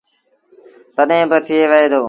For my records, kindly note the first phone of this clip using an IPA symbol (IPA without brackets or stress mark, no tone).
t̪